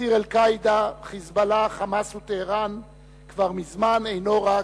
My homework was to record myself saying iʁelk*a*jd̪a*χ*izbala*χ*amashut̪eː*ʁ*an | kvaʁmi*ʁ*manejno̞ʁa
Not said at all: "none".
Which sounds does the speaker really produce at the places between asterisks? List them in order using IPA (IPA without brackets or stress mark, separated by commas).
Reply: a, χ, χ, ʁ, z